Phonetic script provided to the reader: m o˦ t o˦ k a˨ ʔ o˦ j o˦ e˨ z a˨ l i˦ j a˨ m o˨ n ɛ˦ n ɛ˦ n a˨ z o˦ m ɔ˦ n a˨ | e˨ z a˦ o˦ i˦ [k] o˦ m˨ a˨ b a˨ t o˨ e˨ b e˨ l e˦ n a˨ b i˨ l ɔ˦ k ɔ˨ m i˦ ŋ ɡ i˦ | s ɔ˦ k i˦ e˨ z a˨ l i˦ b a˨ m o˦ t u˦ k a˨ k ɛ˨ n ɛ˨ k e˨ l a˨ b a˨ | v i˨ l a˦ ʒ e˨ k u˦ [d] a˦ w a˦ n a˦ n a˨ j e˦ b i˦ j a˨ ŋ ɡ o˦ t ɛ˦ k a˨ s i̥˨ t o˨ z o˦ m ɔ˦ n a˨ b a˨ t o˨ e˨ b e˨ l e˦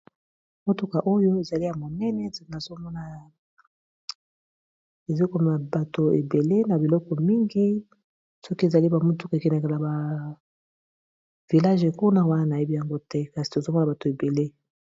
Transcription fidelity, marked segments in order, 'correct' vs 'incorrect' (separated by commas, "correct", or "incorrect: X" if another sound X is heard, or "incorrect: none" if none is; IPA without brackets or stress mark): correct, incorrect: n